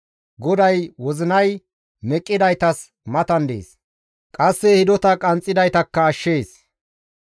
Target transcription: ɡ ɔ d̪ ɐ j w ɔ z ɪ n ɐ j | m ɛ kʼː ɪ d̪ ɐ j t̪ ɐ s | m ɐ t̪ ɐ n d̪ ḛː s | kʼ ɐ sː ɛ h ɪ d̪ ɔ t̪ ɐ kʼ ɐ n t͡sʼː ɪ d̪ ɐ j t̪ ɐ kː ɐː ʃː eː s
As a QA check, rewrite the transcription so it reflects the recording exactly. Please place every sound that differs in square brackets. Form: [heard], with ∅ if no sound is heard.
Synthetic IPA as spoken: ɡ ɔ d̪ ɐ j w ɔ z ɪ n ɐ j | m ɛ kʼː ɪ d̪ ɐ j t̪ ɐ s | m ɐ t̪ ɐ n d̪ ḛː s | kʼ ɐ sː ɛ h ɪ d̪ ɔ t̪ ɐ kʼ ɐ n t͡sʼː ɪ d̪ ɐ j t̪ ɐ kː ɐː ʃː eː s